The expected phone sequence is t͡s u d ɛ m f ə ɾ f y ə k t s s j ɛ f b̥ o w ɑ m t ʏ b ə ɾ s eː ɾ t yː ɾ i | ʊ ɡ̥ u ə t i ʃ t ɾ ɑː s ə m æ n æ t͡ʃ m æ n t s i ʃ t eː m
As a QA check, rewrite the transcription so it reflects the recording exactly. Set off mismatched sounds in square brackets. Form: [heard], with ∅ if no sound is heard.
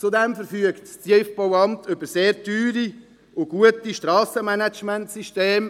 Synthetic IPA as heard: t͡s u d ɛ m f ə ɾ f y ə k t s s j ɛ f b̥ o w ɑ m t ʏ b ə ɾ s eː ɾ t yː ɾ i | ʊ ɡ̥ u ə t i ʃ t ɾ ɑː s ə m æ n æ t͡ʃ m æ n t s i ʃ t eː m

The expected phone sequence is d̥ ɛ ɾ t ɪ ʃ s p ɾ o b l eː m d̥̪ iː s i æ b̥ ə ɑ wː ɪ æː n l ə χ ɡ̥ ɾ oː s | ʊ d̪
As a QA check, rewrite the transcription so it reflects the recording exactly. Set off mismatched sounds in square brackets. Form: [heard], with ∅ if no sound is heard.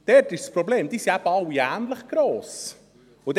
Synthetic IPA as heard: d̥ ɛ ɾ t ɪ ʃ s p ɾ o b l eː m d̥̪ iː s i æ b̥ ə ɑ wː [i] æː n l ə χ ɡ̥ ɾ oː s | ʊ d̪

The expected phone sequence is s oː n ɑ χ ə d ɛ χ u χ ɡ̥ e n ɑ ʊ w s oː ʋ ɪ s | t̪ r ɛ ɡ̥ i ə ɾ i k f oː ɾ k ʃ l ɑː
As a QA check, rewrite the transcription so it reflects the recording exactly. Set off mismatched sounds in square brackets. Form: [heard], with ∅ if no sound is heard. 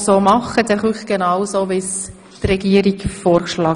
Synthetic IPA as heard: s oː [m] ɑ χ ə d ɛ χ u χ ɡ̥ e n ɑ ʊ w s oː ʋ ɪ s | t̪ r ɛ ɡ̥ i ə ɾ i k f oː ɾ k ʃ l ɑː

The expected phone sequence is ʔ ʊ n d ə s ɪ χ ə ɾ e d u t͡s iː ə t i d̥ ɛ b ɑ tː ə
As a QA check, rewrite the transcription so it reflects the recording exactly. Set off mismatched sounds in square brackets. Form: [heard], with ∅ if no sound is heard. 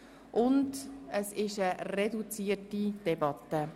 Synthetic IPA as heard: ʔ ʊ n d ə s ɪ [ʃ] ə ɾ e d u t͡s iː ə t i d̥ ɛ b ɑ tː ə

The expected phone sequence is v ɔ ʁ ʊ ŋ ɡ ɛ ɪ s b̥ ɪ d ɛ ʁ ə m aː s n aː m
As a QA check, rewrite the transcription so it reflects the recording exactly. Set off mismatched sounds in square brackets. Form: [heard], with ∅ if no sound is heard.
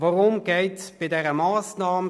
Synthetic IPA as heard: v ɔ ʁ ʊ [m] ɡ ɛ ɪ [t] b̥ ɪ d ɛ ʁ ə m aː s n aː m

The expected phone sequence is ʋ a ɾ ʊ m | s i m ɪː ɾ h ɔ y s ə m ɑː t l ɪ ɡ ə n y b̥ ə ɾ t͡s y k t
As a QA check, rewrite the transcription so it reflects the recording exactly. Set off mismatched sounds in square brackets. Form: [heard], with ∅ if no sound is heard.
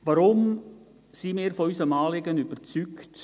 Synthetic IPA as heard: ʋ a ɾ ʊ m | s i m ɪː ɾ [f] ɔ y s ə m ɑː [∅] l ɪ ɡ ə n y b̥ ə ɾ t͡s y k t

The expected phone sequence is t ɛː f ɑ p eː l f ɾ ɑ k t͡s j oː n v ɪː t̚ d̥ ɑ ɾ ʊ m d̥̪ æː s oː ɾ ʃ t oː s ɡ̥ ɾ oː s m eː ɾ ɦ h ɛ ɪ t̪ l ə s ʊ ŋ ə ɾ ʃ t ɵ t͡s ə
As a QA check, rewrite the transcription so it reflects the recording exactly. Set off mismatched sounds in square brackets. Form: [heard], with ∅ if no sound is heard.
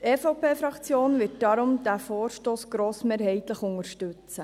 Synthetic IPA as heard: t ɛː f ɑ p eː [∅] f ɾ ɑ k t͡s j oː n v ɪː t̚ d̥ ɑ ɾ ʊ m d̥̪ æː [f] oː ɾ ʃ t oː s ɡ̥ ɾ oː s m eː ɾ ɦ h ɛ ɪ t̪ l ə [χ] ʊ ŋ ə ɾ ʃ t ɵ t͡s ə

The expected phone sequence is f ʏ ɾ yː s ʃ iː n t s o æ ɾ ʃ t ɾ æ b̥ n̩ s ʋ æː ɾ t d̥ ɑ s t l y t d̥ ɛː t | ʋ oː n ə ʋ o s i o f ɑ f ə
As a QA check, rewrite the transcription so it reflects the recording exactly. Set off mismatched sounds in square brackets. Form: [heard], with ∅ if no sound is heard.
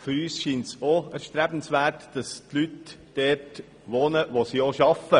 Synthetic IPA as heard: f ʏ ɾ yː s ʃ iː n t s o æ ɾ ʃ t ɾ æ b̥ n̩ s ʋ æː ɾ t d̥ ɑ s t l y t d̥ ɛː t | ʋ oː n ə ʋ o s i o [ʃ] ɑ f ə

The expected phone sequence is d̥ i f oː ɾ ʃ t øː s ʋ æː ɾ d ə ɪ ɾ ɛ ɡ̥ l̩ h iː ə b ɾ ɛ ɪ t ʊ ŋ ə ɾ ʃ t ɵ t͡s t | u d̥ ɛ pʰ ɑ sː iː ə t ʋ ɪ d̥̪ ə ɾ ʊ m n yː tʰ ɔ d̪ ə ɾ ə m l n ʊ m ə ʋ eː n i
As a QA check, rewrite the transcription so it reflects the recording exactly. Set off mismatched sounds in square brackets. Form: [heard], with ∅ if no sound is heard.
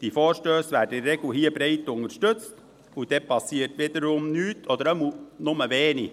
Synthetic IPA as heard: d̥ i f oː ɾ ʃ t øː s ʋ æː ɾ d ə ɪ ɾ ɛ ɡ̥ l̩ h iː ə b ɾ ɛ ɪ t ʊ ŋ ə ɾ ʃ t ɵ t͡s t | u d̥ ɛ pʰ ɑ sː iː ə t ʋ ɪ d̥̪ ə ɾ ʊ m n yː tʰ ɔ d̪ ə ɾ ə m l n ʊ m ə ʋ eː n i

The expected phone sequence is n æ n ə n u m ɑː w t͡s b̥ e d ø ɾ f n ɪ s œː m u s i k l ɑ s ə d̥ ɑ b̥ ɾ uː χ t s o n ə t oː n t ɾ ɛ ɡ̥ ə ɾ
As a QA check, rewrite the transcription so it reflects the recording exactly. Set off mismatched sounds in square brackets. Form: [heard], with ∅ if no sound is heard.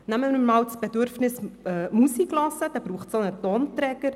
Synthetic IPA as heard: n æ [m] ə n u m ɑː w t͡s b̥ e d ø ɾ f n ɪ s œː m u s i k l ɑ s ə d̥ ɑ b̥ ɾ uː χ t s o n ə t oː n t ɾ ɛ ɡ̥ ə ɾ

